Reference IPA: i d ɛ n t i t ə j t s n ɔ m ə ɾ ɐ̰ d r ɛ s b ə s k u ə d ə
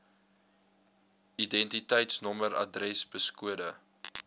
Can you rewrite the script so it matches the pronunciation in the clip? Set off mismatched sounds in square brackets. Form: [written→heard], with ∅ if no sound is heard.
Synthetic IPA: i d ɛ n t i t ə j t s n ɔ m ə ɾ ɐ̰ d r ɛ s b ə s k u ə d ə